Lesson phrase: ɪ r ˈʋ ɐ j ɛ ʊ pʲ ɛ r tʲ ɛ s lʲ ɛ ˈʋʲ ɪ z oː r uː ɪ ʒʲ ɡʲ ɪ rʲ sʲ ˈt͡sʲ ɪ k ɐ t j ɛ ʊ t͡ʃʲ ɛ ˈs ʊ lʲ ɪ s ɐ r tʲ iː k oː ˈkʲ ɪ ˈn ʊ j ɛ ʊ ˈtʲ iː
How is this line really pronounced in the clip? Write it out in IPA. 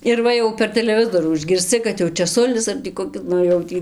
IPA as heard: ɪ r ˈʋ ɐ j ɛ ʊ pʲ ɛ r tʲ ɛ lʲ ɛ ˈʋʲ ɪ z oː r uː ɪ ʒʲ ɡʲ ɪ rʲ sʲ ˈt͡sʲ ɪ k ɐ t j ɛ ʊ t͡ʃʲ ɛ ˈs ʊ lʲ ɪ s ɐ r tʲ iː k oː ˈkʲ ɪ ˈn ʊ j ɛ ʊ ˈtʲ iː